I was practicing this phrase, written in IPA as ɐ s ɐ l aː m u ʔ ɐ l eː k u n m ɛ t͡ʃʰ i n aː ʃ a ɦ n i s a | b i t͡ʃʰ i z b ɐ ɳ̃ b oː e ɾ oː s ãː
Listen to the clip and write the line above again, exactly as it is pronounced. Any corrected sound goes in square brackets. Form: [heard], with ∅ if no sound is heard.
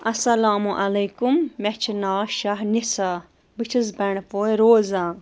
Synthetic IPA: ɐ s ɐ l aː m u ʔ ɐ l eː k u [m] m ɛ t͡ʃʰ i n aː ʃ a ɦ n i s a | b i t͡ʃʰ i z b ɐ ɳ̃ [p] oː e ɾ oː [z] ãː